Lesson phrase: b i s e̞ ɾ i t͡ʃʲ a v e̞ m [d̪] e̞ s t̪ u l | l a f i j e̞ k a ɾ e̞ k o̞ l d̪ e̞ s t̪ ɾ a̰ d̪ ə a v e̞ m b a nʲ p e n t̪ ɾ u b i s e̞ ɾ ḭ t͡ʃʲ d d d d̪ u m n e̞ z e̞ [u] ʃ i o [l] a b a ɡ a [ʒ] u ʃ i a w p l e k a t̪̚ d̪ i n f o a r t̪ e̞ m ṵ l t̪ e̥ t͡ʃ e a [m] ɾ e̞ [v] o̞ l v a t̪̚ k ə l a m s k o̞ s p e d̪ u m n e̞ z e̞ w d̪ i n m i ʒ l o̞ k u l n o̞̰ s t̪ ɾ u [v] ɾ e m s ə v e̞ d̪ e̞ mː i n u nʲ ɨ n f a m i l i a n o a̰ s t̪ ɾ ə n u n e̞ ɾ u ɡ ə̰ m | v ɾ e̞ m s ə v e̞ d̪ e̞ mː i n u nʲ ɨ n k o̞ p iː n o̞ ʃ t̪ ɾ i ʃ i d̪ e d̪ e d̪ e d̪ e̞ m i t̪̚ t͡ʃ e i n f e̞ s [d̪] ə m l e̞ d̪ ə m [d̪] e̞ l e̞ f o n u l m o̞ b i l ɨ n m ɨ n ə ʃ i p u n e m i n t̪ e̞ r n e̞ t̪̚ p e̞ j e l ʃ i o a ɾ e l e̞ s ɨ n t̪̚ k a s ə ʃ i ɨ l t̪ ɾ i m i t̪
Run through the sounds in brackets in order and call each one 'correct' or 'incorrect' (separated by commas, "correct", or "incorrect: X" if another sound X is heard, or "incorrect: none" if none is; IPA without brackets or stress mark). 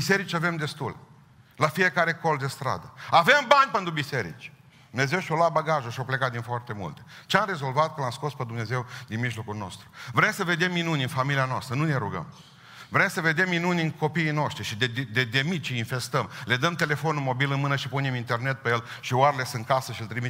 correct, incorrect: w, correct, correct, correct, incorrect: z, correct, incorrect: t̪, incorrect: t̪